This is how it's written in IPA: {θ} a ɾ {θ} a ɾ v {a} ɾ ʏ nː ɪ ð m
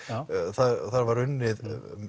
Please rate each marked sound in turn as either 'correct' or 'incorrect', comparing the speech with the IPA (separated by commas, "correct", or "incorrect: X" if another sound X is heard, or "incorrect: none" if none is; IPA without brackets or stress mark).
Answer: correct, correct, correct